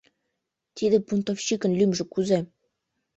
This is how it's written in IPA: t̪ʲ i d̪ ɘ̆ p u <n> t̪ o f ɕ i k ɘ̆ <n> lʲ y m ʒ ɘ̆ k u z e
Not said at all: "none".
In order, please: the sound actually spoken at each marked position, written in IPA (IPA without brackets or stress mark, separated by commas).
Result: n, n